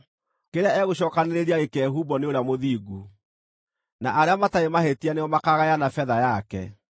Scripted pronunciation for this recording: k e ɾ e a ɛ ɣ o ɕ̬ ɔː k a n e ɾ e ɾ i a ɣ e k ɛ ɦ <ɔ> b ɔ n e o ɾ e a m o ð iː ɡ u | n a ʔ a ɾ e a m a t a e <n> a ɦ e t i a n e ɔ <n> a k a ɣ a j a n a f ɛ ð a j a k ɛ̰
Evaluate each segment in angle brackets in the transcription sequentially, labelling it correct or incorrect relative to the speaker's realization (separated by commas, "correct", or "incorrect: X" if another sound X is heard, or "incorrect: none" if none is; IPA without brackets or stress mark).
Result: incorrect: u, incorrect: m, incorrect: m